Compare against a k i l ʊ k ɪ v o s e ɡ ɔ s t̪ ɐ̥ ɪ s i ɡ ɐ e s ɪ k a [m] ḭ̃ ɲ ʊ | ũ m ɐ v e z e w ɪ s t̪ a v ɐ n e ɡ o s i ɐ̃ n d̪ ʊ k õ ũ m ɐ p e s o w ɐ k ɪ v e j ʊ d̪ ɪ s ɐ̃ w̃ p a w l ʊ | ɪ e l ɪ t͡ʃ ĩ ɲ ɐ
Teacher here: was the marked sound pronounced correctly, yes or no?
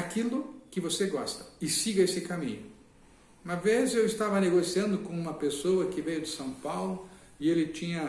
yes